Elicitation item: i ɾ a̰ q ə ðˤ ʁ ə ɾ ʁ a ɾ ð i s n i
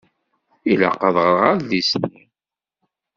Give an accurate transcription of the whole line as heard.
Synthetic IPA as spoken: i l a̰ q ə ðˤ ʁ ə ɾ ʁ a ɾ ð i s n i